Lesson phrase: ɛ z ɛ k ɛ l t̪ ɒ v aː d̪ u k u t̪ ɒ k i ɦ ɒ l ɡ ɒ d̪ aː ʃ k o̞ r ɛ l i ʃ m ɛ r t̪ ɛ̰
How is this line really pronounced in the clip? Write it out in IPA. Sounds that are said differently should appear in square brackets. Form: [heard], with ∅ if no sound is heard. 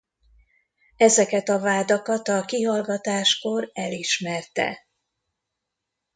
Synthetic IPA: ɛ z ɛ k ɛ [∅] t̪ ɒ v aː d̪ [ɒ] k [ɒ] t̪ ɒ k i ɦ ɒ l ɡ ɒ [t̪] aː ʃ k o̞ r ɛ l i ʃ m ɛ r t̪ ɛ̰